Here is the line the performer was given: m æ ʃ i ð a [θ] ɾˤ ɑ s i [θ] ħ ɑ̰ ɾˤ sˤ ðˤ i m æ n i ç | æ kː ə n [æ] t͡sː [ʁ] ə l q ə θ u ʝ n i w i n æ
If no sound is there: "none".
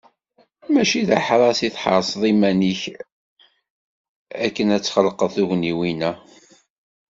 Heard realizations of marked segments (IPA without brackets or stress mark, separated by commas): ħ, θ, æ, χ